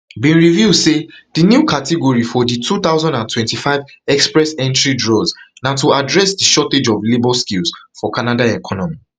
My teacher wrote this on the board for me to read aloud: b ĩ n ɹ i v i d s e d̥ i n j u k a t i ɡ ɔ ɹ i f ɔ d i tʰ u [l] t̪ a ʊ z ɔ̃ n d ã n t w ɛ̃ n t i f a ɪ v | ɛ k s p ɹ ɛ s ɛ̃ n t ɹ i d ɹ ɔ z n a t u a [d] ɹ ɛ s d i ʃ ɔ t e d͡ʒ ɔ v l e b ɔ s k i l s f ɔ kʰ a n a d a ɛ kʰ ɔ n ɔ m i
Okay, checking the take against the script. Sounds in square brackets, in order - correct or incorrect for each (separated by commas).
incorrect, correct